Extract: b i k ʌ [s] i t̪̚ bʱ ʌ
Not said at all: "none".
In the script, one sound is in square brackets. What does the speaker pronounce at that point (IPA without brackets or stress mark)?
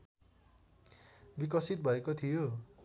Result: s